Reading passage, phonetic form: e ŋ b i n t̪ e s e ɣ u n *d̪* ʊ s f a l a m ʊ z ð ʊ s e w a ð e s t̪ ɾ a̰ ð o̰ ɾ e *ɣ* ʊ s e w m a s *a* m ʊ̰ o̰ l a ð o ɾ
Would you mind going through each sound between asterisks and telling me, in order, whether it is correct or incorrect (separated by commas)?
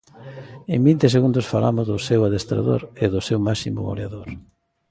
correct, incorrect, incorrect